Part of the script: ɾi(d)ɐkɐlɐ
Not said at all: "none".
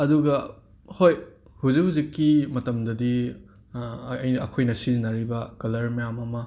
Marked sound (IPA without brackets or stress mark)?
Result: b